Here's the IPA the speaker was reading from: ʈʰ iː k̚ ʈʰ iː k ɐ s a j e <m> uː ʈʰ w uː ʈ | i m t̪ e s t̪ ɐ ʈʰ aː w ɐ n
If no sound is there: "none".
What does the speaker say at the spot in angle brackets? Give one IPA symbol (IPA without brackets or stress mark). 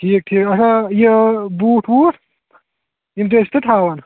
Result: b